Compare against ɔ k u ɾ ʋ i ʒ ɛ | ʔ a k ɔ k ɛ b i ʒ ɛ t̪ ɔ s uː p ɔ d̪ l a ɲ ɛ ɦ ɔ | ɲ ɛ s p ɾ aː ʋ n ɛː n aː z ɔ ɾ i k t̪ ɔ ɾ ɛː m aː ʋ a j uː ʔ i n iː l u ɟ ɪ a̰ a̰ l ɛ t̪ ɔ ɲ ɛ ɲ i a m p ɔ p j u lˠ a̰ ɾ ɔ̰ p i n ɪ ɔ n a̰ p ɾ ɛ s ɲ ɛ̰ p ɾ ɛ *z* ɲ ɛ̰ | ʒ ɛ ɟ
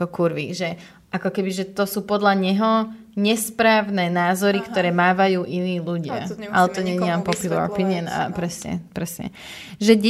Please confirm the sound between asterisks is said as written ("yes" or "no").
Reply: no